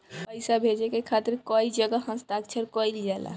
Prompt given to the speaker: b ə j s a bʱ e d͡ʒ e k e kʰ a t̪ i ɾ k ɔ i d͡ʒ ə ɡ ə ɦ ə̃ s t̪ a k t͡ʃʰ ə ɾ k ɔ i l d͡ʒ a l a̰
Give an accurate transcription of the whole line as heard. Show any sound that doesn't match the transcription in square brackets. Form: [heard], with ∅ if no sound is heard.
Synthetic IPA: [p] ə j s a bʱ e d͡ʒ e k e kʰ a t̪ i ɾ k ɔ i d͡ʒ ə ɡ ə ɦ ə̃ s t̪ a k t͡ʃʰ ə ɾ k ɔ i l d͡ʒ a l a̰